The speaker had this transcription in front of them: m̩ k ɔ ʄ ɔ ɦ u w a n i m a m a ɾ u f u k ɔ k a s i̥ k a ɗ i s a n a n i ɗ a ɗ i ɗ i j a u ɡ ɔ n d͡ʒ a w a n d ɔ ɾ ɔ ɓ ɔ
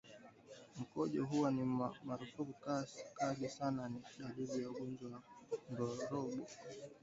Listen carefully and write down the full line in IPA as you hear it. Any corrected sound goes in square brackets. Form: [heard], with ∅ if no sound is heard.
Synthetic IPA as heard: m̩ k ɔ ʄ ɔ ɦ u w a n i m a m a ɾ u f u k [u] k a s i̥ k a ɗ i s a n a n i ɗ a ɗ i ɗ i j a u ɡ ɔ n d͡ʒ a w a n d ɔ ɾ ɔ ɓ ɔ